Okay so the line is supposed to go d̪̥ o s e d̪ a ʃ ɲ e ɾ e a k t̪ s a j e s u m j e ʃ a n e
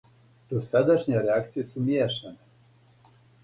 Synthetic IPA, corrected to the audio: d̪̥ o s a d̪ a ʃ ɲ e ɾ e a k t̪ s i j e s u m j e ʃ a n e